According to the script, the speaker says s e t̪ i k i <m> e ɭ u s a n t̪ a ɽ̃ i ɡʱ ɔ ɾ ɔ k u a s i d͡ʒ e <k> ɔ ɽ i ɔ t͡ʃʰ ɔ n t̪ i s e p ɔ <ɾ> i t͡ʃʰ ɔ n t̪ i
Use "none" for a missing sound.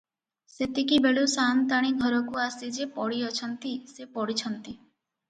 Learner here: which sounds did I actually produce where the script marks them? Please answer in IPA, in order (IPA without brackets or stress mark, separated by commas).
b, p, ɽ